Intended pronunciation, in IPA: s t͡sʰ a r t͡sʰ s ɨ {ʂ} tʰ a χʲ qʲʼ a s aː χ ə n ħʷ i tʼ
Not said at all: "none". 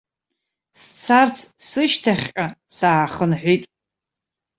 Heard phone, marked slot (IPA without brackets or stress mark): ʃ